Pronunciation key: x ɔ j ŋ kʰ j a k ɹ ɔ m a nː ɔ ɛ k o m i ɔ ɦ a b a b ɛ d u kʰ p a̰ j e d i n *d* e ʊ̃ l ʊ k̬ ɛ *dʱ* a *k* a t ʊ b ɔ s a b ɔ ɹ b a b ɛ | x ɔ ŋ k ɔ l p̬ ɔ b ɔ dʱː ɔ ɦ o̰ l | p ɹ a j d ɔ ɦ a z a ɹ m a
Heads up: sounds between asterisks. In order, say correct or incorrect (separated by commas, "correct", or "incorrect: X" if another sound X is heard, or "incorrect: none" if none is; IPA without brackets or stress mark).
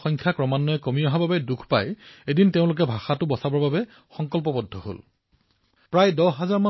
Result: incorrect: t, incorrect: bʱ, incorrect: x